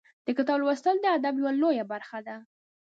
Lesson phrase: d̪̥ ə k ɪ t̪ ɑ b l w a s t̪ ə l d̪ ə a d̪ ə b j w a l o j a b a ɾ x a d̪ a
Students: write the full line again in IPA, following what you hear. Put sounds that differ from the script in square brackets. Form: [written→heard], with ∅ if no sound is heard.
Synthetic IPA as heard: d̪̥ ə k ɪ t̪ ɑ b l w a s t̪ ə l d̪ ə a d̪ [ə→a] b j w a l o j a b a ɾ x a d̪ a